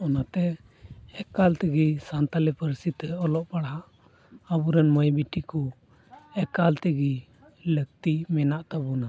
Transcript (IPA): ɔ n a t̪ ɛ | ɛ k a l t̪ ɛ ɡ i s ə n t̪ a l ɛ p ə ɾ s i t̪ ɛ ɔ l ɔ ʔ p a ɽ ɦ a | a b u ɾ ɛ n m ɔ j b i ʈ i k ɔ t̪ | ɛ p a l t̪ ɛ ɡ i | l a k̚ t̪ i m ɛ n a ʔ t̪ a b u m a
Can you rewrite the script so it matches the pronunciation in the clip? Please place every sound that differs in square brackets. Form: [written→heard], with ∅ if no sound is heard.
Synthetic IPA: ɔ n a t̪ ɛ | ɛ k a l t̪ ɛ ɡ i s [ə→a] n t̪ a l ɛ p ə ɾ s i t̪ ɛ ɔ l ɔ ʔ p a ɽ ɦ a | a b u ɾ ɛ n m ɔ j b i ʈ i k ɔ [t̪→∅] | ɛ [p→k] a l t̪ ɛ ɡ i | l [a→ə] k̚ t̪ i m ɛ n a ʔ t̪ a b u [m→n] a